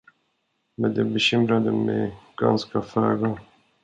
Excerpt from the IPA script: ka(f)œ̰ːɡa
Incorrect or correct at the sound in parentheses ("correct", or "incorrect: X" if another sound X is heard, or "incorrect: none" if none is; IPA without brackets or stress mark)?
correct